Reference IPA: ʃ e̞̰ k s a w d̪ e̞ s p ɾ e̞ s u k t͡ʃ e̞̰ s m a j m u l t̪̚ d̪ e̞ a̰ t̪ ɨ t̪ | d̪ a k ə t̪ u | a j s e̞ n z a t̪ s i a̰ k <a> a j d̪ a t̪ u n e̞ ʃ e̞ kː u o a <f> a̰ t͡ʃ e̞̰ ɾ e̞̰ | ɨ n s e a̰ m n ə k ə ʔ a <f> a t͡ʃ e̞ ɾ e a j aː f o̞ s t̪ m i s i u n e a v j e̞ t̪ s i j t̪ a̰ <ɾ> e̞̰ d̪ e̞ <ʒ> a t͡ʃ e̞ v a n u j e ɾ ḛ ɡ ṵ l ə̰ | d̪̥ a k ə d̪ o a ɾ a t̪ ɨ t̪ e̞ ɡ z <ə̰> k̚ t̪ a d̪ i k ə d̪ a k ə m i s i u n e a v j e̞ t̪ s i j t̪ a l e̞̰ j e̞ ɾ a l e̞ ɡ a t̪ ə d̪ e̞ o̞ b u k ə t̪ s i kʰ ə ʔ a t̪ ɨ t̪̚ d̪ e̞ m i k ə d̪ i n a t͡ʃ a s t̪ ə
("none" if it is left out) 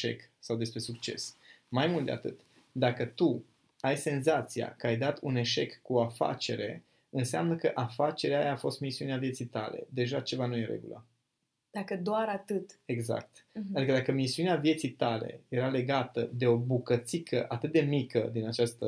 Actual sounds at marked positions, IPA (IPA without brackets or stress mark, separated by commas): ə, f, f, l, ʒ, a̰